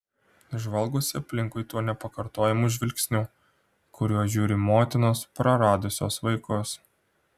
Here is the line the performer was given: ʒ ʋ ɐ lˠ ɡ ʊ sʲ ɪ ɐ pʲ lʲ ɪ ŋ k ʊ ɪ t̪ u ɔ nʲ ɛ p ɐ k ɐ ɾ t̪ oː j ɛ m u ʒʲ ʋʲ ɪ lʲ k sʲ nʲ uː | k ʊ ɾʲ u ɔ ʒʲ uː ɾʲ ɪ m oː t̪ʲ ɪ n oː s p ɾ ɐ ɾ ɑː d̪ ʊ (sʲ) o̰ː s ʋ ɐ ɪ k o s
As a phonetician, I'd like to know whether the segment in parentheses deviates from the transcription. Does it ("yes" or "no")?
no